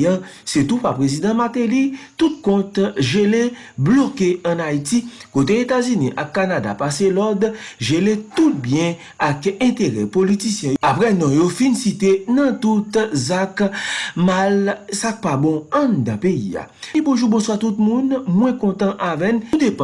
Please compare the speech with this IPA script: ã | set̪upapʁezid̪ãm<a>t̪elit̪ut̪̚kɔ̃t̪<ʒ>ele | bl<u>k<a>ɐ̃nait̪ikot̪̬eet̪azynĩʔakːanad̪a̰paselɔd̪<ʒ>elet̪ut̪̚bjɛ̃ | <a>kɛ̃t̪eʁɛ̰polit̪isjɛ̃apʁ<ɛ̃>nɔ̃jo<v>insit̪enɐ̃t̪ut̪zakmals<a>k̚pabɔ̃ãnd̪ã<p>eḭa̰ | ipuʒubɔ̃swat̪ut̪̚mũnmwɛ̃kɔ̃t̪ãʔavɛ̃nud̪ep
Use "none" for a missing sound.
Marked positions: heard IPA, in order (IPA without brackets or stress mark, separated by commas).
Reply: a, ʒ, o, e, ʒ, a, ɛ, f, a, p